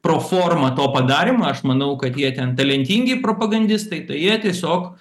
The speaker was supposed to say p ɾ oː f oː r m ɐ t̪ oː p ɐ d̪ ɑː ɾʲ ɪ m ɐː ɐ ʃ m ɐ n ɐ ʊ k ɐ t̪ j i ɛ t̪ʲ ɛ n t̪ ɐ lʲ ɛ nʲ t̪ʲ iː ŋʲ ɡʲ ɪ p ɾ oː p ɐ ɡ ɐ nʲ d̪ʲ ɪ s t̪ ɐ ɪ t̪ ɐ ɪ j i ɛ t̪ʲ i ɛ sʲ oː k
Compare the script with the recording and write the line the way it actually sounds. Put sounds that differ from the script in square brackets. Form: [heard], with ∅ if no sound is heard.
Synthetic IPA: p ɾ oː f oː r m ɐ t̪ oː p ɐ d̪ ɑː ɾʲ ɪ m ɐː ɐ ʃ m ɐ n ɐ ʊ k ɐ t̪ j i ɛ t̪ʲ ɛ n t̪ ɐ lʲ ɛ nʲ t̪ʲ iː ŋʲ ɡʲ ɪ p ɾ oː p ɐ ɡ ɐ nʲ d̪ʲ ɪ s t̪ ɐ ɪ t̪ ɐ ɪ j i ɛ t̪ʲ i ɛ sʲ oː k